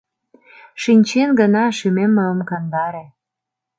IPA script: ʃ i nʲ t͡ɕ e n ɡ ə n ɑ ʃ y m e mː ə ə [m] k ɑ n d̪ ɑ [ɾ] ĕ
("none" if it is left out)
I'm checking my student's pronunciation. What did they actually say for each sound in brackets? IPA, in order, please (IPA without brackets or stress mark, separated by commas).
m, ɾ